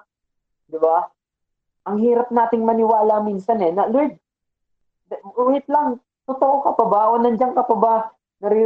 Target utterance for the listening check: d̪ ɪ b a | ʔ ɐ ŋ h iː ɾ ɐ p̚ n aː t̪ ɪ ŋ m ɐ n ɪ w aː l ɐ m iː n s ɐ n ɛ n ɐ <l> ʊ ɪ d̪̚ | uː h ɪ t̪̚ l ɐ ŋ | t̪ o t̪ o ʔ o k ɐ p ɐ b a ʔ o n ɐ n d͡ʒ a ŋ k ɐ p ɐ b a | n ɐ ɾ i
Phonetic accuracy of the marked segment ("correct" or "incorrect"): correct